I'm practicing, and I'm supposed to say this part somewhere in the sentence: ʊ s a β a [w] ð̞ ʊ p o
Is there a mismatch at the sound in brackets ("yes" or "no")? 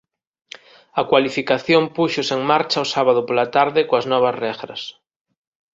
yes